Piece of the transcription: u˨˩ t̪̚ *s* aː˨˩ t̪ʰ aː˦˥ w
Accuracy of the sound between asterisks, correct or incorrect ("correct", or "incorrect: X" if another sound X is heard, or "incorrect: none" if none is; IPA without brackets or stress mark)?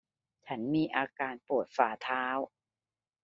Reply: incorrect: f